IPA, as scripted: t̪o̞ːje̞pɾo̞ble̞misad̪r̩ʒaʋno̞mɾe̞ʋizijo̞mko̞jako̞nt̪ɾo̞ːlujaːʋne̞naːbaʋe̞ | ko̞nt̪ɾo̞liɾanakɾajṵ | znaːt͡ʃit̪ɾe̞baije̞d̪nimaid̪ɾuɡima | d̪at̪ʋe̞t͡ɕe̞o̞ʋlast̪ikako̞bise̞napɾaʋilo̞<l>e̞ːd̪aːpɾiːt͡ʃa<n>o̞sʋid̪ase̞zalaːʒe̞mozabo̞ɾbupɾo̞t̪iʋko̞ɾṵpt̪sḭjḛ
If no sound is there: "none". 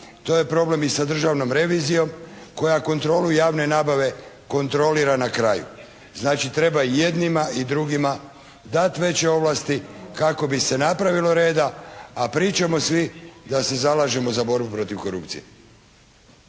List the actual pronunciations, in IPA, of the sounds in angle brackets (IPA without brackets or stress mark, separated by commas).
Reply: ɾ, m